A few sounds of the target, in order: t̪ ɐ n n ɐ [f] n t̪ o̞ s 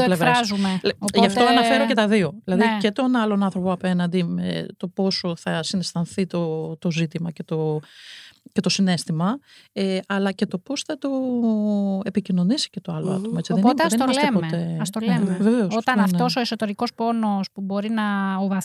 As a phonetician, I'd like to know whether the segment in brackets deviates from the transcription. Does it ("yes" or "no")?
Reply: no